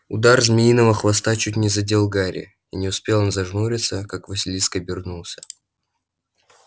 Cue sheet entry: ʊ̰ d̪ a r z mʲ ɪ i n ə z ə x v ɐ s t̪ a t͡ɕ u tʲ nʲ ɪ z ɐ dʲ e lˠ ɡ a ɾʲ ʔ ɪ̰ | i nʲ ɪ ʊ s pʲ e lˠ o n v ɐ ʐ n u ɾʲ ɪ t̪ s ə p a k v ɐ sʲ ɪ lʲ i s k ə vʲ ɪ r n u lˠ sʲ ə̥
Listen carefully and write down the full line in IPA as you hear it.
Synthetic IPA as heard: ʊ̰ d̪ a r z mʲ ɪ i n ə v ə x v ɐ s t̪ a t͡ɕ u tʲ nʲ ɪ z ɐ dʲ e lˠ ɡ a ɾʲ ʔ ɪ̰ | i nʲ ɪ ʊ s pʲ e lˠ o n z ɐ ʐ n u ɾʲ ɪ t̪ s ə k a k v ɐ sʲ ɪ lʲ i s k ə bʲ ɪ r n u lˠ sʲ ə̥